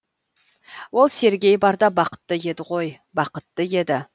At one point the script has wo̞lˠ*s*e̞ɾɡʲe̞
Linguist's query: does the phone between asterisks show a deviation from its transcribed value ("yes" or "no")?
no